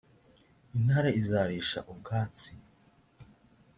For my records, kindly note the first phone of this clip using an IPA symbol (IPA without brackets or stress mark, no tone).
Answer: i